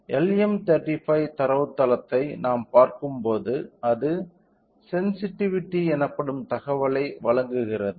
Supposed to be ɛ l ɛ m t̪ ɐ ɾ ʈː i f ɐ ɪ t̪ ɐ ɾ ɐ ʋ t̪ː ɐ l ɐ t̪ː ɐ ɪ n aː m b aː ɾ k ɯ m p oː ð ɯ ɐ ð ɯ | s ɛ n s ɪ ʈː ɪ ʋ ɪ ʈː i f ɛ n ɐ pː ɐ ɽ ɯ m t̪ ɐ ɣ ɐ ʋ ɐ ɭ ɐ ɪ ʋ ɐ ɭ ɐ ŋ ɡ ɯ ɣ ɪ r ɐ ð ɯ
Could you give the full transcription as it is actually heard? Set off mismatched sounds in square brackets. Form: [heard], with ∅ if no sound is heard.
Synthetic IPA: ɛ l ɛ m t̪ ɐ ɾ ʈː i f ɐ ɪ t̪ ɐ ɾ ɐ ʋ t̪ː ɐ l ɐ t̪ː ɐ ɪ n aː m [p] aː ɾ k ɯ m p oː ð ɯ ɐ ð ɯ | s ɛ n s ɪ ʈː ɪ ʋ ɪ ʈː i [∅] ɛ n ɐ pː ɐ ɽ ɯ m t̪ ɐ ɣ ɐ ʋ ɐ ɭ ɐ ɪ ʋ ɐ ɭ ɐ ŋ ɡ ɯ ɣ ɪ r ɐ ð ɯ

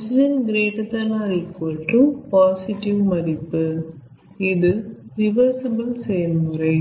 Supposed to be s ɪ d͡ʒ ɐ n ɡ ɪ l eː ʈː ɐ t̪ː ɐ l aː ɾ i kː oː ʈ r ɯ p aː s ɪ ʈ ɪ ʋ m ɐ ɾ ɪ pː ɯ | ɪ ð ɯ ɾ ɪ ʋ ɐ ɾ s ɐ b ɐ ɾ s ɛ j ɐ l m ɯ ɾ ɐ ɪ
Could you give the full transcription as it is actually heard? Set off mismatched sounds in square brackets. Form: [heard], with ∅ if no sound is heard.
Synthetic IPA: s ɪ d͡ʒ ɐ n ɡ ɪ [ɾ] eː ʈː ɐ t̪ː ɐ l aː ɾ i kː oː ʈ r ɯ p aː s ɪ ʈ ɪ ʋ m ɐ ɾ ɪ pː ɯ | ɪ ð ɯ ɾ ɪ ʋ ɐ ɾ s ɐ b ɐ [l] s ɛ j ɐ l m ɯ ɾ ɐ ɪ

